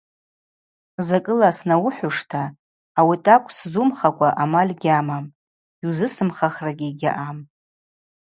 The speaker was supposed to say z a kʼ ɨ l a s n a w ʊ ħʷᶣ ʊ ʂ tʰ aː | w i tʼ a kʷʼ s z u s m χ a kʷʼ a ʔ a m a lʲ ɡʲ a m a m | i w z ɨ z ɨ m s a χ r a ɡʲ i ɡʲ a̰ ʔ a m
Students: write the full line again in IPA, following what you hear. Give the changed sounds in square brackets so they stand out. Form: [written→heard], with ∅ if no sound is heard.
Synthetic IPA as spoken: z a kʼ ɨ l a s n a w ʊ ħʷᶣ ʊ ʂ tʰ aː | w i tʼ a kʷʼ s z u [s→∅] m χ a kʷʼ a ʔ a m a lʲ ɡʲ a m a m | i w z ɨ [z→s] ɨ m [s→χ] a χ r a ɡʲ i ɡʲ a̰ ʔ a m